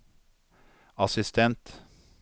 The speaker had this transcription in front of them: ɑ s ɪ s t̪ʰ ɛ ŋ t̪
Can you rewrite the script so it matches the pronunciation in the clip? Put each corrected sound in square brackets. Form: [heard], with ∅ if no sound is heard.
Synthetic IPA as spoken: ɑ s ɪ s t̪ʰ ɛ [n] t̪